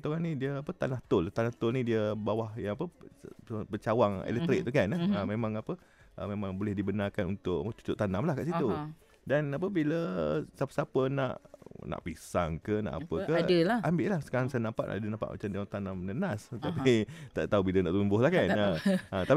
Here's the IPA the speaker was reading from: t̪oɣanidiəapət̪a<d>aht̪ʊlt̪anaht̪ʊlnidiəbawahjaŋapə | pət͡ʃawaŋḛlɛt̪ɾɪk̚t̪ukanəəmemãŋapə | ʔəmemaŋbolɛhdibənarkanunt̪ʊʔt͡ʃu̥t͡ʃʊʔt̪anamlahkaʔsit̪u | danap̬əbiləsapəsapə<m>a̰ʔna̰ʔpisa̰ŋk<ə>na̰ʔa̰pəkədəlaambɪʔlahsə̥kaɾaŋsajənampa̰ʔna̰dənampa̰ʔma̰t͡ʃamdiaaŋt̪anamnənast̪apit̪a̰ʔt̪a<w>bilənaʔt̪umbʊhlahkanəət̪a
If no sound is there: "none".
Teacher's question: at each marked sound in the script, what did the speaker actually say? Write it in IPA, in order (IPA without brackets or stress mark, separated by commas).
n, n, ə, u